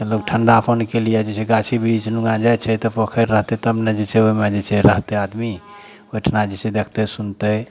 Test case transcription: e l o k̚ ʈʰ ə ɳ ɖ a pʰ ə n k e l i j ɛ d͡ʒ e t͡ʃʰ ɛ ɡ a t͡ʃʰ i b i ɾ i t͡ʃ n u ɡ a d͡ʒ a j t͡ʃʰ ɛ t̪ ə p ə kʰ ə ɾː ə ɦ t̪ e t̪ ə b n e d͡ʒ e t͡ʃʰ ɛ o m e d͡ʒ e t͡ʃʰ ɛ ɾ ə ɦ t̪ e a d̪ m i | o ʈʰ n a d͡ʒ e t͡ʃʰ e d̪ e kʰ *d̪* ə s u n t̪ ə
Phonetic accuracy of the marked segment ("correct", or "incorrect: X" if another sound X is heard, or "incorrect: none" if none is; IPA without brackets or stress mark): incorrect: t̪